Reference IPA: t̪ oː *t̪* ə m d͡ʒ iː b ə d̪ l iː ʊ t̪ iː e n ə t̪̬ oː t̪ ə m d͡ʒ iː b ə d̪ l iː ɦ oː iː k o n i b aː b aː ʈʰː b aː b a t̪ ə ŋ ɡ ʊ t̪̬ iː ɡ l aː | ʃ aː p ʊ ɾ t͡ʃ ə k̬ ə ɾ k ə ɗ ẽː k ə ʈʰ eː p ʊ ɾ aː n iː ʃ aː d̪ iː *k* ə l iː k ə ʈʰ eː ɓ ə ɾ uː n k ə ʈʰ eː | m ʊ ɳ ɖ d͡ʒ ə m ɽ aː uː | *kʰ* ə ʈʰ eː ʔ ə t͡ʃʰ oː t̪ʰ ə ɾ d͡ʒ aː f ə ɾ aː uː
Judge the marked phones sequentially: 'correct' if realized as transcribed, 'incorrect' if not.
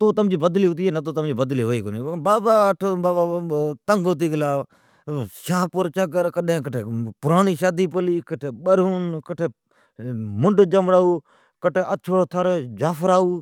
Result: correct, incorrect, incorrect

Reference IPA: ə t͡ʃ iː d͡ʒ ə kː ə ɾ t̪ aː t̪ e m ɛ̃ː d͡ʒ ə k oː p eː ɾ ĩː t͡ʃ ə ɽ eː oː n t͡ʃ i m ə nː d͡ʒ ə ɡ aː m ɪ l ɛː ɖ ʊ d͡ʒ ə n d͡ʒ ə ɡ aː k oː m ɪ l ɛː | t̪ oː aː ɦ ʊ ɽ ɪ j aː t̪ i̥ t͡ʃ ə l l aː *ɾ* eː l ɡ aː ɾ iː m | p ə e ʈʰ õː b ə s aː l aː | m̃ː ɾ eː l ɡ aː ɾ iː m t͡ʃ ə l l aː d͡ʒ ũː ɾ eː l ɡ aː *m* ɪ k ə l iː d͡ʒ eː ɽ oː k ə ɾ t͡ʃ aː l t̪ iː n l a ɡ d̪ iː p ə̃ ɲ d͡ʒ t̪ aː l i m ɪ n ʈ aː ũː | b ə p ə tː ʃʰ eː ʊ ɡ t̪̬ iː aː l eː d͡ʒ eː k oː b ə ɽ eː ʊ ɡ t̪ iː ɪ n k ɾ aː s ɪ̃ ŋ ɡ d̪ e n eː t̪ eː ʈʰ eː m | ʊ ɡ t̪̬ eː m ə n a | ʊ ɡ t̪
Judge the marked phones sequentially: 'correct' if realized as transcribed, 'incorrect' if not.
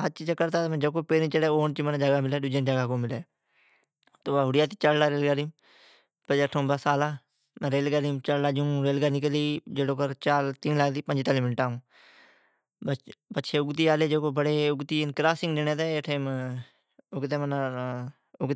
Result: correct, incorrect

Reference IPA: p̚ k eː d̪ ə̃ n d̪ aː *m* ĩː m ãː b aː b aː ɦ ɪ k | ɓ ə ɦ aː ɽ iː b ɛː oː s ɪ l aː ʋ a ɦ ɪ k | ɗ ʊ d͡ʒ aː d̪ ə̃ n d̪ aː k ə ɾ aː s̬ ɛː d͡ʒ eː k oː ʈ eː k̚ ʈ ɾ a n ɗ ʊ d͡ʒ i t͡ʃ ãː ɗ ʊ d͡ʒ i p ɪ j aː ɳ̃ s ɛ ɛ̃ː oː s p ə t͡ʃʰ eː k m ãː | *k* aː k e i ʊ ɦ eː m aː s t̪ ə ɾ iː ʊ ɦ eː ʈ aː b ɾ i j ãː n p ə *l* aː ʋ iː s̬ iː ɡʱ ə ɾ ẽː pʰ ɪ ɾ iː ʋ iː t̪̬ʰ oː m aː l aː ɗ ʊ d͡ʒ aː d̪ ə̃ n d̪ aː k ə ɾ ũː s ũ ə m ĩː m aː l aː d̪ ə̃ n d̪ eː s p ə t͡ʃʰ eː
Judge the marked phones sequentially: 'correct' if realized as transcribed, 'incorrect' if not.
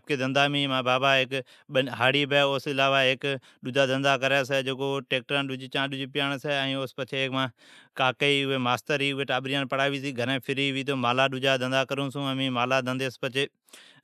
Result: correct, correct, incorrect

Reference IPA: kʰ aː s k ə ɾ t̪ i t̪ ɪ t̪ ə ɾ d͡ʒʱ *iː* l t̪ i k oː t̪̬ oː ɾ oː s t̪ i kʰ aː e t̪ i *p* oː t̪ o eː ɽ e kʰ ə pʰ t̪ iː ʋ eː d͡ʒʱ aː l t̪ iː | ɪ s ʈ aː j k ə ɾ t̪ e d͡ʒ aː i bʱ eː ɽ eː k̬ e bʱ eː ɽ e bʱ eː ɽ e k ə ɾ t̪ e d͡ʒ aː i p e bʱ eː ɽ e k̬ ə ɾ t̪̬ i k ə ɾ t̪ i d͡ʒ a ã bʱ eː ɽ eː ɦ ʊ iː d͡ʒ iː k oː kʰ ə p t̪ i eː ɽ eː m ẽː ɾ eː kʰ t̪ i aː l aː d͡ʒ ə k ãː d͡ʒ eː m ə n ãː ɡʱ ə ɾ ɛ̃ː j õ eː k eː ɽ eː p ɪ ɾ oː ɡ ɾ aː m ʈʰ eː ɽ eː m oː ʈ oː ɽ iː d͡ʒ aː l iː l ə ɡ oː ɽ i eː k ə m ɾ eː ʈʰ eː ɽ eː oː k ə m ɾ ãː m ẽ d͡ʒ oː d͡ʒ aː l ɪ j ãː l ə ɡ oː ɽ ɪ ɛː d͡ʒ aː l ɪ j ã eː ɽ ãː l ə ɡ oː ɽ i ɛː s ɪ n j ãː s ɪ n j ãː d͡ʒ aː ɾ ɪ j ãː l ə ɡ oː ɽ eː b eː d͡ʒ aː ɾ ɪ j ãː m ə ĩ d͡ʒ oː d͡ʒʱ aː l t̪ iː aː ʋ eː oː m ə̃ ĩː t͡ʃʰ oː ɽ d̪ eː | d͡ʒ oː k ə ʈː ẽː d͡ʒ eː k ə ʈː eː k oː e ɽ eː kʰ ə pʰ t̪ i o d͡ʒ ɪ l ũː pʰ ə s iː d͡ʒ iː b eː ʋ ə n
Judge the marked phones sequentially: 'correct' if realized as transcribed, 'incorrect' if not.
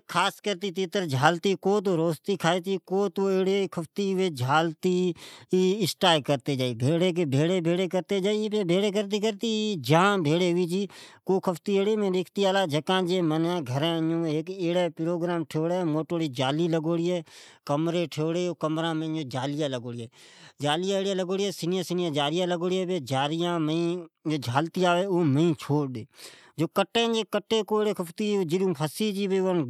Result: incorrect, incorrect

